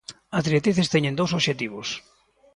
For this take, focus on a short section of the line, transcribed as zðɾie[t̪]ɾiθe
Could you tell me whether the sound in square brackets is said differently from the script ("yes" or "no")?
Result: no